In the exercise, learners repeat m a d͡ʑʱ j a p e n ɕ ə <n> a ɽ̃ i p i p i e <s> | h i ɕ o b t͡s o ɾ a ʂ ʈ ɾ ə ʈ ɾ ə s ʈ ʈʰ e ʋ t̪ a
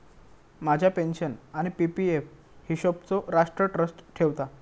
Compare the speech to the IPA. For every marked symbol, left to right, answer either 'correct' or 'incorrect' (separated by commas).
correct, incorrect